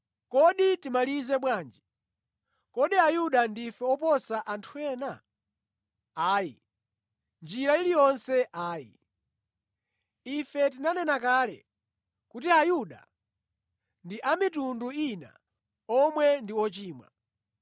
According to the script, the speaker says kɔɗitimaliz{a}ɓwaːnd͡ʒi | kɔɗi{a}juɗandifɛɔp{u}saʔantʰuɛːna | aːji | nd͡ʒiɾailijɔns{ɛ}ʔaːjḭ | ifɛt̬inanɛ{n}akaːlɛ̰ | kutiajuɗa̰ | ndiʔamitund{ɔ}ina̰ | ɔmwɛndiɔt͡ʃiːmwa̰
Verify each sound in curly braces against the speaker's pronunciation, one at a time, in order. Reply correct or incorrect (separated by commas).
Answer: incorrect, correct, incorrect, correct, correct, incorrect